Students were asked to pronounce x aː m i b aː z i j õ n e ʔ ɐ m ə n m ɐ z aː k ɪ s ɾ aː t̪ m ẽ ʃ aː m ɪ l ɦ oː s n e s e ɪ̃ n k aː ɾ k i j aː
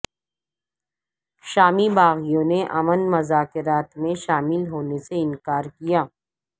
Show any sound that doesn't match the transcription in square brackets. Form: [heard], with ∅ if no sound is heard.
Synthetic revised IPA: [ʃ] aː m i b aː [ɣ] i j õ n e ʔ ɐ m ə n m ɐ z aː k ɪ [∅] ɾ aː t̪ m ẽ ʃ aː m ɪ l ɦ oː [∅] n e s e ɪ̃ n k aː ɾ k i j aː